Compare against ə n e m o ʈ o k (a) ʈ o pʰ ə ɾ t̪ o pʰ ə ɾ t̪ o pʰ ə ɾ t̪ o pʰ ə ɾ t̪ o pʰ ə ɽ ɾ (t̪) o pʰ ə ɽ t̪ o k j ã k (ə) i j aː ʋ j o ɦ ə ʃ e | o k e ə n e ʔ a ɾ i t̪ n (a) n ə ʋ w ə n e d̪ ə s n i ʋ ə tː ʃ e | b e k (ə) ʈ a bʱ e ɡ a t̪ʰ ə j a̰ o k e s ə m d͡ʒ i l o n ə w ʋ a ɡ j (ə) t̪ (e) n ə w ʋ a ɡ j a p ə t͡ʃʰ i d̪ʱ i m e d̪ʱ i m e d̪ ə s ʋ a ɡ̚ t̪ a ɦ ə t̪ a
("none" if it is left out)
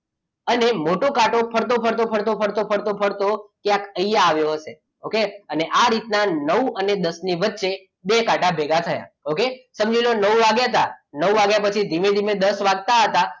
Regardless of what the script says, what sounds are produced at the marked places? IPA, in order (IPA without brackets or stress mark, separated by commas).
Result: a, t̪, ə, a, a, a, a